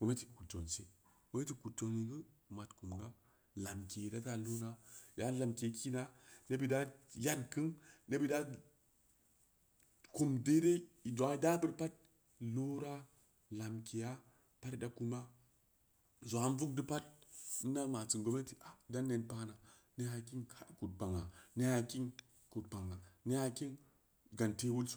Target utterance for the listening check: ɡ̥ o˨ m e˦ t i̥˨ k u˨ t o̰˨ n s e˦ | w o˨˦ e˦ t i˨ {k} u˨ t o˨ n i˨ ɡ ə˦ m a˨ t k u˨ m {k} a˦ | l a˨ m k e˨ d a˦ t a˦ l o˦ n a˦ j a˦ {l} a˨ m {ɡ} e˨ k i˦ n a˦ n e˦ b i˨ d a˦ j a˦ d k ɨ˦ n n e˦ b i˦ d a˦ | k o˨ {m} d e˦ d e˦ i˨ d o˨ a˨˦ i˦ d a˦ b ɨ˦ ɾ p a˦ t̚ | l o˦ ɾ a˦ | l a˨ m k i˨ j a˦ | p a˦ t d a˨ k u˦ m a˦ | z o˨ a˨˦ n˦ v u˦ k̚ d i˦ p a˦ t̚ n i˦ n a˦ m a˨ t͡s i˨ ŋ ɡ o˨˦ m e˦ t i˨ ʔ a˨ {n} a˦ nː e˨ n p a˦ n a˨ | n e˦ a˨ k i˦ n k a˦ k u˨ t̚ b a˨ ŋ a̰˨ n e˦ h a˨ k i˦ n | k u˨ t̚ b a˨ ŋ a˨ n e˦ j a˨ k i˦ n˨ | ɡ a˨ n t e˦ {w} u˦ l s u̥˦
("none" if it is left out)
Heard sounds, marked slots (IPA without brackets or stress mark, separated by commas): k, ɡ, l, k, m, d, w